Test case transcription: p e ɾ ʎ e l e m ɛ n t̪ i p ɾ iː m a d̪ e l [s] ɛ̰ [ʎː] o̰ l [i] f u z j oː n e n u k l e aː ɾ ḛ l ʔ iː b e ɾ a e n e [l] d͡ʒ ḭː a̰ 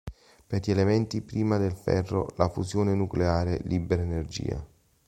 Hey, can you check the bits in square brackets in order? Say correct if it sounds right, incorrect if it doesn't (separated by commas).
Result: incorrect, incorrect, incorrect, incorrect